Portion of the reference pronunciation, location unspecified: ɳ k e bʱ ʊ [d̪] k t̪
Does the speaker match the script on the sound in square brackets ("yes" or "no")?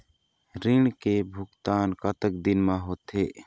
no